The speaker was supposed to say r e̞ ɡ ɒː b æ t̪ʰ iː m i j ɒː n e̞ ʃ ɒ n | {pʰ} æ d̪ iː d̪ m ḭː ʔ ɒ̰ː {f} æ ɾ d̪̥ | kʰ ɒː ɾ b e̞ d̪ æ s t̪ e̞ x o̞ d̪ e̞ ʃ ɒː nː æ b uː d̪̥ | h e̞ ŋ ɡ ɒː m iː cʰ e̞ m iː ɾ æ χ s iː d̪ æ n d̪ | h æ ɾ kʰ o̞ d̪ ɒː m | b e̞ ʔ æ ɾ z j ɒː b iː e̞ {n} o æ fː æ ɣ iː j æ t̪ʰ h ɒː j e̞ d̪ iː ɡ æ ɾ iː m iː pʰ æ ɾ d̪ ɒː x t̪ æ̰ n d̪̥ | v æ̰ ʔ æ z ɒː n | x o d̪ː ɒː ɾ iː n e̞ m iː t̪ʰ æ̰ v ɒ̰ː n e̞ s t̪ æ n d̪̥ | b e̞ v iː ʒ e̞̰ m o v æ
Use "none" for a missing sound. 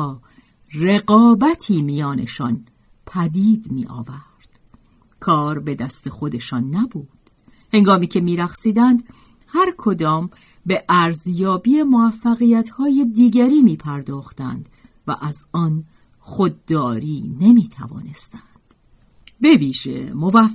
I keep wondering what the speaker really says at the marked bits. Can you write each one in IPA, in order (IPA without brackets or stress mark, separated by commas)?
pʰ, v, m